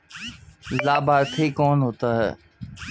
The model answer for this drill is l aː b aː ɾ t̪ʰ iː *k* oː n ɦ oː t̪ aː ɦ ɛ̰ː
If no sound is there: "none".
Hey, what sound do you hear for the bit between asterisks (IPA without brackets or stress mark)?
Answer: k